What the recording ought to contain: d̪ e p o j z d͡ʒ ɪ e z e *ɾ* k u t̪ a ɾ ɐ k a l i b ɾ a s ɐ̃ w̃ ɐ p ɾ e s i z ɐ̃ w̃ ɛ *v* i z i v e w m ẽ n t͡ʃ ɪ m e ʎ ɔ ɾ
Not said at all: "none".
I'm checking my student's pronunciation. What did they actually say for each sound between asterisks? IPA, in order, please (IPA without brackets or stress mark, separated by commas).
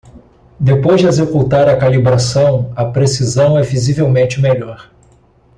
none, v